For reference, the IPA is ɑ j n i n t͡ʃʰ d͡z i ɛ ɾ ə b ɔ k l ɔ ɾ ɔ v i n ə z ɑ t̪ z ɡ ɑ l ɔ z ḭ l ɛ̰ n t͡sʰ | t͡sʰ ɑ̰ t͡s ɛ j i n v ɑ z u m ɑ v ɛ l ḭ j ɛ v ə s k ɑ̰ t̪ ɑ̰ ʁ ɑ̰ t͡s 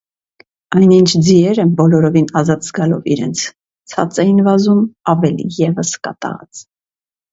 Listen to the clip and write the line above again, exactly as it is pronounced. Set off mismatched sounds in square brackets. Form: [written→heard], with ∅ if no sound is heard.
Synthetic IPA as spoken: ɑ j n i n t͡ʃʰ d͡z i ɛ ɾ ə b ɔ [k→∅] l ɔ ɾ ɔ v i n [ə→ɑ] z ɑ t̪ z ɡ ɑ l ɔ [z→v] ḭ [l→ɾ] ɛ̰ n t͡sʰ | t͡sʰ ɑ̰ t͡s ɛ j i n v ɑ z u m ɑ v ɛ l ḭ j ɛ v ə s k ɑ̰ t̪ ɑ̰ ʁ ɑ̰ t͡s